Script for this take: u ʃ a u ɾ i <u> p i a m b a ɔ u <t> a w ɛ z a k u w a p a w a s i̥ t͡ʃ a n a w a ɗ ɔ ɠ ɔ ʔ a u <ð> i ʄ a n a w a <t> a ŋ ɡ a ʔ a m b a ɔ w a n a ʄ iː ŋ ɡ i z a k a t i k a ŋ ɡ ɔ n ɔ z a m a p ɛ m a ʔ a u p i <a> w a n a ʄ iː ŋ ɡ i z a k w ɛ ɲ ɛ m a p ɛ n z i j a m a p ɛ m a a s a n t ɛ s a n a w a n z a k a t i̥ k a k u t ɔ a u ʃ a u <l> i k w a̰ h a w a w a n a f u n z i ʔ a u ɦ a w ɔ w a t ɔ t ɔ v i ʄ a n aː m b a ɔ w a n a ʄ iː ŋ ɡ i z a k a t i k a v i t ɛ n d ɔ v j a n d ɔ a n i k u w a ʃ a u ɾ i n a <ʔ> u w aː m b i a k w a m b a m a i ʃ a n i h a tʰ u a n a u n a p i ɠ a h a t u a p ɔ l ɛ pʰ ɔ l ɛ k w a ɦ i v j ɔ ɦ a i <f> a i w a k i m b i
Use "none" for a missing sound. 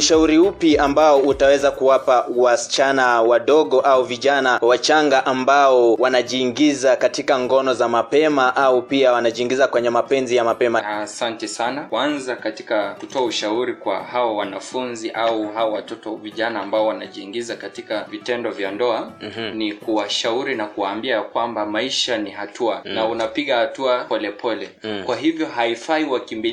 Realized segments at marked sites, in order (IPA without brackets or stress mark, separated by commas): u, t, v, t͡ʃ, a, ɾ, k, f